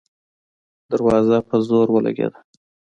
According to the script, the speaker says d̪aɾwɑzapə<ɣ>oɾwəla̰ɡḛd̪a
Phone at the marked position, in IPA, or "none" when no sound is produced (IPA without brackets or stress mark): z